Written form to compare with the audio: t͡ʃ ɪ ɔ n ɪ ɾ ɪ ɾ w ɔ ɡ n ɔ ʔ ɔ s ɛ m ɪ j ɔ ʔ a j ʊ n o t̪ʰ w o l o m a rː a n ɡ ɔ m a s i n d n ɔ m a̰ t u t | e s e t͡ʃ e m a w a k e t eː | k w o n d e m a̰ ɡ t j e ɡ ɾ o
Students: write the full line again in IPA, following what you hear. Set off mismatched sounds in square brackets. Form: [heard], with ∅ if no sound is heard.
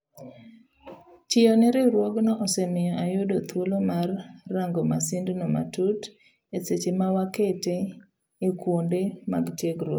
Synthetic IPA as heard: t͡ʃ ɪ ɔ n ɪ ɾ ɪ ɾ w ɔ ɡ n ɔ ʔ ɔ s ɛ m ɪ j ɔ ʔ a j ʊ [d] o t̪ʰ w o l o m a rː a [ŋ] ɡ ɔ m a s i n d n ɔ m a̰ t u t | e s e t͡ʃ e m a w a k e t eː | k w o n d e m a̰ ɡ t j e ɡ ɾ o